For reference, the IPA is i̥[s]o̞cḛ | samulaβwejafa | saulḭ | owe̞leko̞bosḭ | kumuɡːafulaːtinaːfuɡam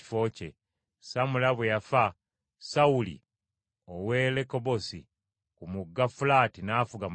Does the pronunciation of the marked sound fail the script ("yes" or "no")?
yes